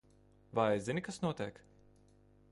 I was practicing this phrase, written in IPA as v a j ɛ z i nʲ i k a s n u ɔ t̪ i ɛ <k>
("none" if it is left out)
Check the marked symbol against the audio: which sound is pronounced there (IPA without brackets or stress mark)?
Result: k